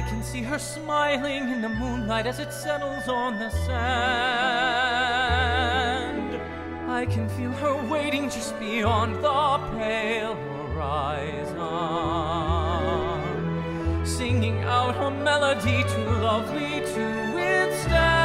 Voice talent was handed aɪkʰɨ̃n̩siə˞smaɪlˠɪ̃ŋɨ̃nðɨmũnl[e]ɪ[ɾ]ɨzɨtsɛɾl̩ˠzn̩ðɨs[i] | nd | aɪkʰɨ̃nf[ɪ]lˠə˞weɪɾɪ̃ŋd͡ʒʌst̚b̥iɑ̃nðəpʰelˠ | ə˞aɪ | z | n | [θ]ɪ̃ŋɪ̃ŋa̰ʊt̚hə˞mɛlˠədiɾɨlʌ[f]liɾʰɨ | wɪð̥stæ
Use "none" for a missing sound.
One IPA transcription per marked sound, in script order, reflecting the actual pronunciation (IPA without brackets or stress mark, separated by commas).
a, ɾ, æ, i, s, v